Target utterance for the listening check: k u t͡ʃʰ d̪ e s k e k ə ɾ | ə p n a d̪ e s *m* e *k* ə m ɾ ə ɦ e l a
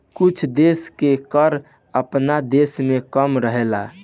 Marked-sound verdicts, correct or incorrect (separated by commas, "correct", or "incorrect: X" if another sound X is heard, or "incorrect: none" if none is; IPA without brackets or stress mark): correct, correct